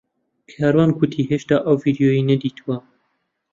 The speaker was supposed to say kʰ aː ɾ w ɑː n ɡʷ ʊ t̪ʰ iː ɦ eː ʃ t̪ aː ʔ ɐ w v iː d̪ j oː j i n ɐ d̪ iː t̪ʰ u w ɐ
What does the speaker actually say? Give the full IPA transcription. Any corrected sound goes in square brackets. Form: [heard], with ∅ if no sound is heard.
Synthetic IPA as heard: kʰ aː ɾ w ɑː n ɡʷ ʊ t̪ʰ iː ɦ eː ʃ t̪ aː ʔ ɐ w v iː d̪ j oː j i n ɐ d̪ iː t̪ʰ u w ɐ